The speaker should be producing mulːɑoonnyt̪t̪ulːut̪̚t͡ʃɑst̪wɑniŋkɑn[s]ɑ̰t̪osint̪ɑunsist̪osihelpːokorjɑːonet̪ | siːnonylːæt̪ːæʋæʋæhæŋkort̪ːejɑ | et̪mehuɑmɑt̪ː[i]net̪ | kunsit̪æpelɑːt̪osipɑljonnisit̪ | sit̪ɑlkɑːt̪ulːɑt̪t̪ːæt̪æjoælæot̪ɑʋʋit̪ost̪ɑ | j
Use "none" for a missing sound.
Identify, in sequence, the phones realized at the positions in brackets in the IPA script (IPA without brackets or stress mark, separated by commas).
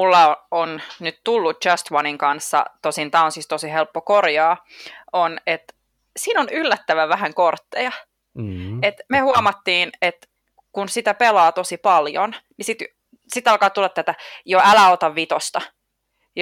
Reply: sː, iː